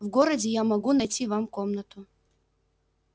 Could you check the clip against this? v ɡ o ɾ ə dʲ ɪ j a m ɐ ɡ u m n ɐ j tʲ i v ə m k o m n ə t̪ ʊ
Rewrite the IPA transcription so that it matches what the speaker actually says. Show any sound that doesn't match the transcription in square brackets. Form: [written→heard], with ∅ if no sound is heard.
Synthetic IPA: v ɡ o ɾ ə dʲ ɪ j a m ɐ ɡ u [m→∅] n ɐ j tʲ i v [ə→a] m k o m n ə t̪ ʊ